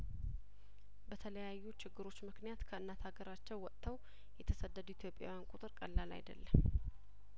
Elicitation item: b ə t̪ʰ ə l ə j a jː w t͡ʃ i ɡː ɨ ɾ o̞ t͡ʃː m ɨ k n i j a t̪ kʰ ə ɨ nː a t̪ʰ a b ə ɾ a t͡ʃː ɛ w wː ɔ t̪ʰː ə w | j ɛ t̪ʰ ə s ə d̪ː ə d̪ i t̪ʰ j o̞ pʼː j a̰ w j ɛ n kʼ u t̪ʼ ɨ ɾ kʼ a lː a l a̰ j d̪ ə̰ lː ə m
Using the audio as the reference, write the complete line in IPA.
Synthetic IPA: b ə t̪ʰ ə l ə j a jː u t͡ʃ ɪ ɡː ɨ ɾ o̞ t͡ʃː m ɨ k n i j a t̪ kʰ ə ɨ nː a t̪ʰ a ɡ ə ɾ a t͡ʃː ɛ w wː ɔ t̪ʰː ə w | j ɛ t̪ʰ ə s ə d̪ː ə d̪ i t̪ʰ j o̞ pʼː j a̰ w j a n kʼ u t̪ʼ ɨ ɾ kʼ ə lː a l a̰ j d̪ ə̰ lː ə m